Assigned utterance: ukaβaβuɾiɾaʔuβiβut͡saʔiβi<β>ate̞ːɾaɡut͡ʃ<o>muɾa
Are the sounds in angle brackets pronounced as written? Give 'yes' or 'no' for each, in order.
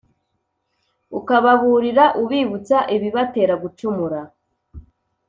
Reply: yes, no

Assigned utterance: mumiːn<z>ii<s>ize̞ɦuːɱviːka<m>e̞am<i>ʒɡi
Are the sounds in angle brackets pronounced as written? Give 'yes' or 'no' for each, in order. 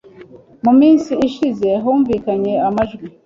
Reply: no, no, no, no

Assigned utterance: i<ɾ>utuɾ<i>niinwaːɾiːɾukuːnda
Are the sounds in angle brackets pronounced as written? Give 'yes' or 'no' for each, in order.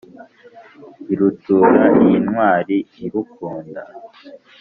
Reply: yes, no

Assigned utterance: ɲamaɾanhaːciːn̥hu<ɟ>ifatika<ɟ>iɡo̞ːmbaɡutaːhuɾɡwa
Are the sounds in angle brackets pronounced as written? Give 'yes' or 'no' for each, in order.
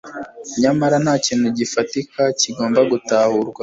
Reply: yes, no

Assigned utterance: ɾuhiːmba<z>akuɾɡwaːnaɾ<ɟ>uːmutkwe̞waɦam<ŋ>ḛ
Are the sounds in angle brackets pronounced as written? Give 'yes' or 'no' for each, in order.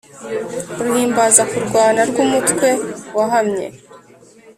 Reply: yes, no, no

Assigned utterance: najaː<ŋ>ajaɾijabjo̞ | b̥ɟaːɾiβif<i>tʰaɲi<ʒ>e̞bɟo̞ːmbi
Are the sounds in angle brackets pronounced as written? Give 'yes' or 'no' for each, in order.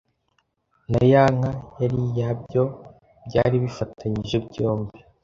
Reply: yes, no, yes

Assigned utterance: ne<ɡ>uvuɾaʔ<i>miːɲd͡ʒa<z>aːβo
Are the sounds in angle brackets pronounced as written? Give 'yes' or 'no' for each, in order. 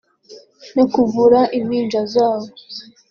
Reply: no, yes, yes

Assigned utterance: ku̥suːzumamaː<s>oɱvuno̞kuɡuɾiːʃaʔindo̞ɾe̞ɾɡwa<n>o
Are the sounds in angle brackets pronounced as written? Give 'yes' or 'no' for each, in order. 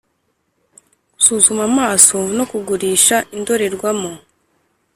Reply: yes, no

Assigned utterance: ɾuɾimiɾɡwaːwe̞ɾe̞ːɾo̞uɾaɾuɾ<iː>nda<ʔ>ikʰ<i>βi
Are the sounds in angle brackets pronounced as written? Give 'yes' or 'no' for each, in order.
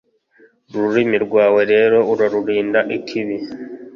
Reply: yes, yes, yes

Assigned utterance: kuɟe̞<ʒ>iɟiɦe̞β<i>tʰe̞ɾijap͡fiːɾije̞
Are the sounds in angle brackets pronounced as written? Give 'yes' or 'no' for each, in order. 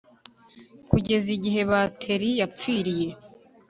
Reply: no, no

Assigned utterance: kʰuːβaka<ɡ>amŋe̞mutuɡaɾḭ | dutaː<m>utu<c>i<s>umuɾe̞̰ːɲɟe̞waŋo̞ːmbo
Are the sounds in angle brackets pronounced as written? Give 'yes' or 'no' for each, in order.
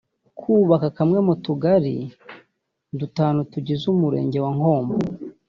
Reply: no, no, no, no

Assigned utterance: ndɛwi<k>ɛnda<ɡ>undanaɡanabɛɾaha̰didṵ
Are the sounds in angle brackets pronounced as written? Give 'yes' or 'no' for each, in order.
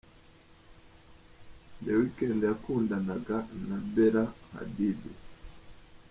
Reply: yes, no

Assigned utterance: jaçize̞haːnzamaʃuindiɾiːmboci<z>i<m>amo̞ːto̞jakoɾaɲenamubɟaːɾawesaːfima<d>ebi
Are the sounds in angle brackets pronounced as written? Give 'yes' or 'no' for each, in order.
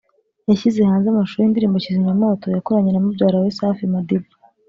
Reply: yes, no, yes

